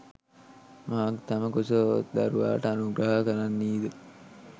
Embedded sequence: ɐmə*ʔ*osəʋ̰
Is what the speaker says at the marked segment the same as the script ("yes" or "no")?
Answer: no